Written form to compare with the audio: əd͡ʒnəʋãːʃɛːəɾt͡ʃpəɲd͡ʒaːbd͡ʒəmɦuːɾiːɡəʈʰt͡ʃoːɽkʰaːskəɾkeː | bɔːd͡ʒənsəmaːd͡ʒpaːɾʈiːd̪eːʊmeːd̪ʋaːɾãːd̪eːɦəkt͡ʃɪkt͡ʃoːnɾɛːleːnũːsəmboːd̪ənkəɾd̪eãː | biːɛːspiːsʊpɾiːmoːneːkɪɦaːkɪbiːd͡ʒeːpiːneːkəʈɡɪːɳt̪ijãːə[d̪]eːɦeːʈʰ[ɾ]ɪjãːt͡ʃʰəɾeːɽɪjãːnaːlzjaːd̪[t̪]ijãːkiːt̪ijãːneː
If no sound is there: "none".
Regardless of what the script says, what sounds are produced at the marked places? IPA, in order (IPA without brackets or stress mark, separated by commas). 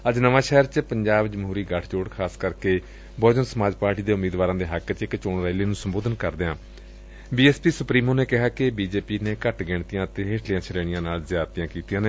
t̪, l, t̪